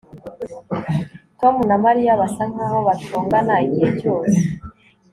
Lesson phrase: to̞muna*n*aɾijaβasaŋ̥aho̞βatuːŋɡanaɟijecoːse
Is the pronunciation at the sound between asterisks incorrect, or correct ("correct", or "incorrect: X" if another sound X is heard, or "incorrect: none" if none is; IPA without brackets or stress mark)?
incorrect: m